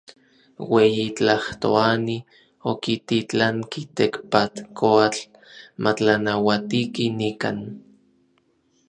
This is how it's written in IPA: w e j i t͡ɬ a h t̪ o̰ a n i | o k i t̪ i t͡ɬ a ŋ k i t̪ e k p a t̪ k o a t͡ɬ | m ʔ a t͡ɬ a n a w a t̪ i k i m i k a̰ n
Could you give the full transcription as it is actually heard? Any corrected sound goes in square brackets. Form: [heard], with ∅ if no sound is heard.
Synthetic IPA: w e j i t͡ɬ a h t̪ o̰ a n i | o k i t̪ i t͡ɬ a ŋ k i t̪ e k p a t̪ k o a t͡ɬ | m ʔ a t͡ɬ a n a w a t̪ i k i [n] i k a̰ n